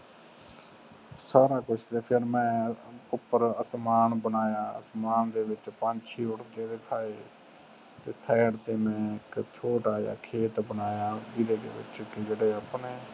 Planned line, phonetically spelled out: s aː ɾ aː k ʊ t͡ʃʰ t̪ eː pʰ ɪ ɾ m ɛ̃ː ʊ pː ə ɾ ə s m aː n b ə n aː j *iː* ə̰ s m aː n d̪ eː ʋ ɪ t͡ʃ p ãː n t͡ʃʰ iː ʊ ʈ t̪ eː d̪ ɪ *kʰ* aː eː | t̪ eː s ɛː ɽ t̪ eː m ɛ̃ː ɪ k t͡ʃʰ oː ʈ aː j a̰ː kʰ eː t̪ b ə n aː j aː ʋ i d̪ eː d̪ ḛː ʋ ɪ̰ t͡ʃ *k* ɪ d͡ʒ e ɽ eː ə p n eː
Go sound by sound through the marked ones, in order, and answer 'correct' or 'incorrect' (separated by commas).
incorrect, correct, correct